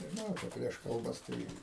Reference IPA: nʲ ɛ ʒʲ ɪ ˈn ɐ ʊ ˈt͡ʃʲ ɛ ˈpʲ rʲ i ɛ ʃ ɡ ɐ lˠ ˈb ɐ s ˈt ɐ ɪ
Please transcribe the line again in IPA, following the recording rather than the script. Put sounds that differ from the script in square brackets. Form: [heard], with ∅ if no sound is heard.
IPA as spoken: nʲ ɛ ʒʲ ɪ ˈn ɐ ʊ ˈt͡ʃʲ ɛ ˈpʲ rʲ i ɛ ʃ [k] ɐ lˠ ˈb ɐ s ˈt ɐ ɪ